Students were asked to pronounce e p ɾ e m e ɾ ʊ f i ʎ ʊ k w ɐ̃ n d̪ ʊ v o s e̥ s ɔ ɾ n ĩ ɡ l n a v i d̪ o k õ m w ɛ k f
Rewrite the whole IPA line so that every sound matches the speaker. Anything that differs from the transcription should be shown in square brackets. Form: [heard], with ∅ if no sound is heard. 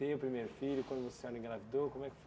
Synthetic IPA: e p ɾ [i] m e ɾ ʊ f i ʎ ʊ k w ɐ̃ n d̪ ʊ v o s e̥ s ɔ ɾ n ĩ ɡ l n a v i d̪ o k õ m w ɛ k f

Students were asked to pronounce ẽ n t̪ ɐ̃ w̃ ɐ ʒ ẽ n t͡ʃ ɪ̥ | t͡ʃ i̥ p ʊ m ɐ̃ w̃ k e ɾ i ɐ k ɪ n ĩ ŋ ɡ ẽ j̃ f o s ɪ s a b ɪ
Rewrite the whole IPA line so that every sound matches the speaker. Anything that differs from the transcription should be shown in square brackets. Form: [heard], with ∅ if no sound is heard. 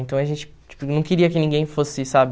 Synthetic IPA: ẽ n t̪ ɐ̃ w̃ ɐ ʒ ẽ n t͡ʃ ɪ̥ | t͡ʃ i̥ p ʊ [n] ɐ̃ w̃ k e ɾ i ɐ k ɪ n ĩ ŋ ɡ ẽ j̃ f o s ɪ s a b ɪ

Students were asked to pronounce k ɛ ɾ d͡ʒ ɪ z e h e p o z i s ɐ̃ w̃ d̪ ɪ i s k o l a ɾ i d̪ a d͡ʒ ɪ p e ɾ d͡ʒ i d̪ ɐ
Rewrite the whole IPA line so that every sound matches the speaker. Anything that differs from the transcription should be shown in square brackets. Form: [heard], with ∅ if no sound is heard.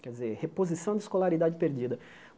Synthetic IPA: k ɛ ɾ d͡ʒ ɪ z e h e p o z i s ɐ̃ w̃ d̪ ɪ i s k o l a ɾ i d̪ a d͡ʒ ɪ p e ɾ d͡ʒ i d̪ ɐ

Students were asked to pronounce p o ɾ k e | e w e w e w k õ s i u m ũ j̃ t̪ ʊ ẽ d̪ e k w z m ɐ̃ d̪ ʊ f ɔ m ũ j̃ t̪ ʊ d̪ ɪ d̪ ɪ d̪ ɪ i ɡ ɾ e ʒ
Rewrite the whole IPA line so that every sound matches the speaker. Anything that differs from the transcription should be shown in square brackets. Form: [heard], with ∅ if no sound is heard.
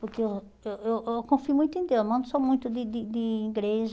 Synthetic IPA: p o ɾ k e | e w e w e w k õ [f] i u m ũ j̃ t̪ ʊ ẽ d̪ e [∅] w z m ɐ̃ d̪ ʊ [s] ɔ m ũ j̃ t̪ ʊ d̪ ɪ d̪ ɪ d̪ ɪ i ɡ ɾ e ʒ

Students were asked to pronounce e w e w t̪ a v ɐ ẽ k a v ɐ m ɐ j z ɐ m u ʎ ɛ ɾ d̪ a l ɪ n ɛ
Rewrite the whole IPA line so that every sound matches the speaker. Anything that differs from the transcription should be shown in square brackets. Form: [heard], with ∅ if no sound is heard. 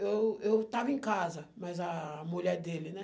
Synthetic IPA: e w e w t̪ a v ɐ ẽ k a [z] ɐ m ɐ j z ɐ m u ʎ ɛ ɾ d̪ [e] l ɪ n ɛ

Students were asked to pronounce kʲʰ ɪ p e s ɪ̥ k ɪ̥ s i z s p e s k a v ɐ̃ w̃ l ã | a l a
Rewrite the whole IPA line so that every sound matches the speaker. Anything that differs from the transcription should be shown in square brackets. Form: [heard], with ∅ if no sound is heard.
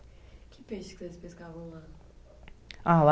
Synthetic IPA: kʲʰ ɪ p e [ʃ] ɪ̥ k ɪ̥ s [e] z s p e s k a v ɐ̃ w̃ l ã | a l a

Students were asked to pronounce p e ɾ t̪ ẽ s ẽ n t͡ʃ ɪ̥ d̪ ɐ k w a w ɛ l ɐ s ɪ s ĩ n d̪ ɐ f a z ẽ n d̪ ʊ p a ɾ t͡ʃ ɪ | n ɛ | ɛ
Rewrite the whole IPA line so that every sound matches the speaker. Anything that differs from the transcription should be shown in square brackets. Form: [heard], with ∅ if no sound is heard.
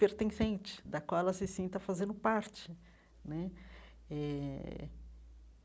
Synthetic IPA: p e ɾ t̪ ẽ s ẽ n t͡ʃ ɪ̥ d̪ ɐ k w a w ɛ l ɐ s ɪ s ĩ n [t̪] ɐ f a z ẽ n d̪ ʊ p a ɾ t͡ʃ ɪ | n ɛ | ɛ

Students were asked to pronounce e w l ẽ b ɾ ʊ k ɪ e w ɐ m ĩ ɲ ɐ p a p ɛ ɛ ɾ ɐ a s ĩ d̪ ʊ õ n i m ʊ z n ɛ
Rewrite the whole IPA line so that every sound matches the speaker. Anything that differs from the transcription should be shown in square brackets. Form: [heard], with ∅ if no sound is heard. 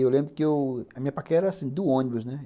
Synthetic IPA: e w l ẽ b ɾ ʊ k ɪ e w ɐ m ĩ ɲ ɐ p a [k] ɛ ɛ ɾ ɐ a s ĩ d̪ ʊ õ n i [b] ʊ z n ɛ

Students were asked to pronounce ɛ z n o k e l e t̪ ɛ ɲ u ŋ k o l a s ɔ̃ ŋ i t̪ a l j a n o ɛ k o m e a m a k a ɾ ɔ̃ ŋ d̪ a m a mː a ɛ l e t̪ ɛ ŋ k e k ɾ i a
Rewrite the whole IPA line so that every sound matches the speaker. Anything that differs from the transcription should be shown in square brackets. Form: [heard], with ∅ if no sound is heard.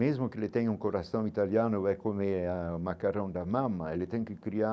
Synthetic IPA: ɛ z [m] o k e l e t̪ ɛ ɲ u ŋ k o [ɾ] a s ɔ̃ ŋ i t̪ a l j a n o ɛ k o m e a m a k a ɾ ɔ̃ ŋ d̪ a m a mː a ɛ l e t̪ ɛ ŋ k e k ɾ i a

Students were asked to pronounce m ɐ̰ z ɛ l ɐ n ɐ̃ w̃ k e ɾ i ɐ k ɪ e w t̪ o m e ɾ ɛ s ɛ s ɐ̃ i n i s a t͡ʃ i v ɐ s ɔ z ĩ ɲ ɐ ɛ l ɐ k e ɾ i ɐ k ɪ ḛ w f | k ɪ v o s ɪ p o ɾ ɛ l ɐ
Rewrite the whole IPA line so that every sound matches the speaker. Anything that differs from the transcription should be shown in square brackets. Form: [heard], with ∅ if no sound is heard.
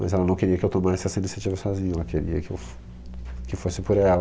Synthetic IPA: m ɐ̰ z ɛ l ɐ n ɐ̃ w̃ k e ɾ i ɐ k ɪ e w t̪ o m [a] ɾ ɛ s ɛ s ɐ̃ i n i s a t͡ʃ i v ɐ s ɔ z ĩ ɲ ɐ ɛ l ɐ k e ɾ i ɐ k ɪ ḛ w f | k ɪ [f] o s ɪ p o ɾ ɛ l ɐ

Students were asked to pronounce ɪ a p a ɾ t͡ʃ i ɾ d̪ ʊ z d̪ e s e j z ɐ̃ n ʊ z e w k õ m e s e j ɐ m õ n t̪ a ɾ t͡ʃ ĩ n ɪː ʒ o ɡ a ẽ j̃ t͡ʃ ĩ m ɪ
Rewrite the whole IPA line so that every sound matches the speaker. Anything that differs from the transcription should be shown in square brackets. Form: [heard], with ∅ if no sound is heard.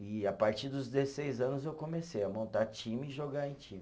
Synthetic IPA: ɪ a p a ɾ t͡ʃ i ɾ d̪ ʊ z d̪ e s e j z ɐ̃ n ʊ z e w k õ m e s e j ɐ m õ n t̪ a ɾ t͡ʃ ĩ [m] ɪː ʒ o ɡ a ẽ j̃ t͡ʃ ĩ m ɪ

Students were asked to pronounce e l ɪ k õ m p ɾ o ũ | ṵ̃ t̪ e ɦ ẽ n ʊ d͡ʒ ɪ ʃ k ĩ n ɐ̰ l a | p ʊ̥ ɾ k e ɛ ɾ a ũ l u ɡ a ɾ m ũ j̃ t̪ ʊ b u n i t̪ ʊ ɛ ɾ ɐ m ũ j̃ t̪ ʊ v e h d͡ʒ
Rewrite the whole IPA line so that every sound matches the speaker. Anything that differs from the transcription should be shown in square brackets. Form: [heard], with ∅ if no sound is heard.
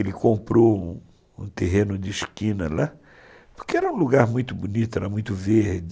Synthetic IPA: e l ɪ k õ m p ɾ o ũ | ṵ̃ t̪ e ɦ ẽ n ʊ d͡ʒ ɪ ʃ k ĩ n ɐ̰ l a | p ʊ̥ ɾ k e ɛ ɾ [ɐ] ũ l u ɡ a ɾ m ũ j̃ t̪ ʊ b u n i t̪ ʊ ɛ ɾ ɐ m ũ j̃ t̪ ʊ v e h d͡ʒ

